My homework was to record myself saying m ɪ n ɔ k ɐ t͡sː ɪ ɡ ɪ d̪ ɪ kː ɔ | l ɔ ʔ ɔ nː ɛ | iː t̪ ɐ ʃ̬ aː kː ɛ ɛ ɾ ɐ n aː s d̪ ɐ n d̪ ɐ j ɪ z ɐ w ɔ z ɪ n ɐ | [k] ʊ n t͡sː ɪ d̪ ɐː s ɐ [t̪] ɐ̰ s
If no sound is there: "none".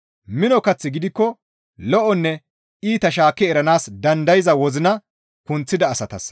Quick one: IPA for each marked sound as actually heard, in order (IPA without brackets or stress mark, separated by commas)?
k, t̪